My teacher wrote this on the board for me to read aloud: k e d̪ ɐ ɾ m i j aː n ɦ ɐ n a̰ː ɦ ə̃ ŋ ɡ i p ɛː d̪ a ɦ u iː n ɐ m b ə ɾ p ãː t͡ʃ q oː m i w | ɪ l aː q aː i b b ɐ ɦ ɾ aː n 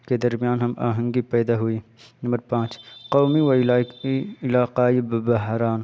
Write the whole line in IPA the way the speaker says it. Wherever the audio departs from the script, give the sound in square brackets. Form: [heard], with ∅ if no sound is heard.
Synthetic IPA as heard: k e d̪ ɐ ɾ m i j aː n ɦ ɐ [m] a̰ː ɦ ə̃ ŋ ɡ i p ɛː d̪ a ɦ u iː n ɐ m b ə ɾ p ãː t͡ʃ q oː m i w | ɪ l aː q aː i b b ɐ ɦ ɾ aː n